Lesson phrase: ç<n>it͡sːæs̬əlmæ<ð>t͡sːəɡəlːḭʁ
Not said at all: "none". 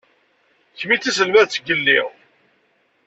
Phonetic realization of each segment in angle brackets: m, ð

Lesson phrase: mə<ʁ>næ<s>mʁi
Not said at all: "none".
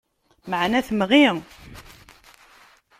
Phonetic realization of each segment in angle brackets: ʕ, θ

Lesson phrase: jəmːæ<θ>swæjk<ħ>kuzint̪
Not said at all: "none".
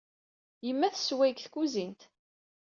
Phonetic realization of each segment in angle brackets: θ, θ

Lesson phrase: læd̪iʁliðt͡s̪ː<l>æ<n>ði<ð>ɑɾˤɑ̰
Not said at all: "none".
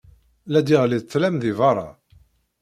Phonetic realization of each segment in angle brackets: l, m, v

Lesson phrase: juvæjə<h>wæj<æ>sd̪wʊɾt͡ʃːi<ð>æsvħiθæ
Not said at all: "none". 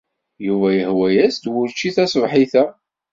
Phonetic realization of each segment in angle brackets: h, æ, θ

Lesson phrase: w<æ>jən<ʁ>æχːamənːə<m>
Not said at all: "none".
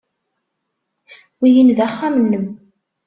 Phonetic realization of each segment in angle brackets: i, ð, m

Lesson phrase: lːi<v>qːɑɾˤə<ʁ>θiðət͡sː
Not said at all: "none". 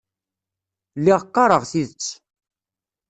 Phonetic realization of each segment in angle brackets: ʁ, ʁ

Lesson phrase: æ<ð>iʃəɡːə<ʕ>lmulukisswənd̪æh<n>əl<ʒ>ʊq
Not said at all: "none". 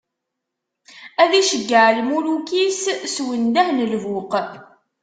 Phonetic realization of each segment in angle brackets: ð, ʕ, n, v

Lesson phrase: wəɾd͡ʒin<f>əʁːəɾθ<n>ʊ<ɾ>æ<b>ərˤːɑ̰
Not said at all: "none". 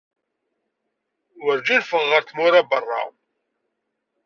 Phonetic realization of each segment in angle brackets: f, m, ɾ, b

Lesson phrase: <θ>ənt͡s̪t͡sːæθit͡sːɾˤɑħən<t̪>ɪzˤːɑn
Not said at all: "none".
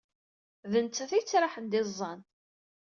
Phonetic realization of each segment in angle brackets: ð, d̪

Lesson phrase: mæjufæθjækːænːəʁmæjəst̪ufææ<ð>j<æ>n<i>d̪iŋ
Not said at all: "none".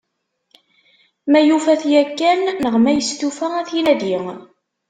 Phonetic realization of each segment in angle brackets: θ, i, æ

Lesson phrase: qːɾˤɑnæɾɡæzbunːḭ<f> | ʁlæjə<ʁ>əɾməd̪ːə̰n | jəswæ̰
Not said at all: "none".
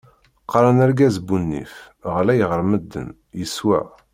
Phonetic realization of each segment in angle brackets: f, ʁ

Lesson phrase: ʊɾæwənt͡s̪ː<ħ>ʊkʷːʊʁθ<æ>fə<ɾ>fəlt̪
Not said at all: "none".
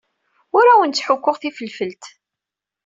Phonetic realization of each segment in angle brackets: ħ, i, l

